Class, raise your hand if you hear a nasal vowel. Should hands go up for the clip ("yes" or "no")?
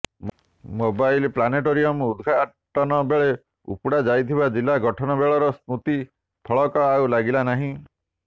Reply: yes